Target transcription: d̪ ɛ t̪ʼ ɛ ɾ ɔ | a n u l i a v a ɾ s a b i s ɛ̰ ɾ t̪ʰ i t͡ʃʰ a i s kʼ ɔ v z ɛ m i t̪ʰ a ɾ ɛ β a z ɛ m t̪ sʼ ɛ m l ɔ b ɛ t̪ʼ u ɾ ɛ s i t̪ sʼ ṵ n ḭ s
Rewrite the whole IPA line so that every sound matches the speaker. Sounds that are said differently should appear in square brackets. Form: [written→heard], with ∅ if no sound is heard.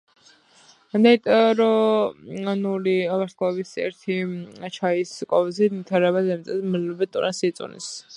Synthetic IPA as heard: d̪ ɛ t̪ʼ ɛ ɾ ɔ | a n u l i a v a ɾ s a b i s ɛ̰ ɾ t̪ʰ i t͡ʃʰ a i s kʼ ɔ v z [ɛ→i] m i t̪ʰ a ɾ ɛ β a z ɛ m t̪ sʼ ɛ m l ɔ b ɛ t̪ʼ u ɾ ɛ s i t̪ sʼ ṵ n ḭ s